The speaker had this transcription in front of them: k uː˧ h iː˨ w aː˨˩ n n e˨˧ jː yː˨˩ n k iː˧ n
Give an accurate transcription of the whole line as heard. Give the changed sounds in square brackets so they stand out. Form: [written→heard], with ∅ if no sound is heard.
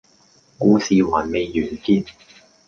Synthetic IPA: k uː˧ [h→s] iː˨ w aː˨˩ n [n→m] e˨˧ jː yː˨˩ n k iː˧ n